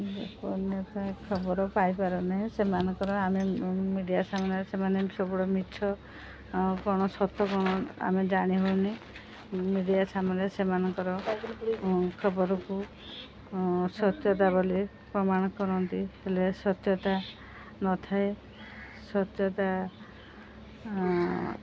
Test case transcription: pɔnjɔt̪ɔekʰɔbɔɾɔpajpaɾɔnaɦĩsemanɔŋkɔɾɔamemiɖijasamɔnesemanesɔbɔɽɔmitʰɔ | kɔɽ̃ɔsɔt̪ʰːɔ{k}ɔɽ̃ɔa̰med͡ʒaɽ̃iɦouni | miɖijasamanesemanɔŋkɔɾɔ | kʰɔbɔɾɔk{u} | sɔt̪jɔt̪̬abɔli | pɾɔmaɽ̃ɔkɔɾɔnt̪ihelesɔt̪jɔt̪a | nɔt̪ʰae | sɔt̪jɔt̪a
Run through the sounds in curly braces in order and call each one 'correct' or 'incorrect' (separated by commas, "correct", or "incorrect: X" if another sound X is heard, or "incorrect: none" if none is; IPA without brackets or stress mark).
correct, correct